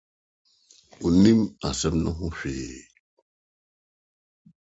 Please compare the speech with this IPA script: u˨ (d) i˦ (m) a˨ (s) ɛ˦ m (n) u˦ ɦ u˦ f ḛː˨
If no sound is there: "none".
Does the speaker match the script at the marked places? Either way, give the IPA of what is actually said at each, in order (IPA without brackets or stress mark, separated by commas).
n, m, s, n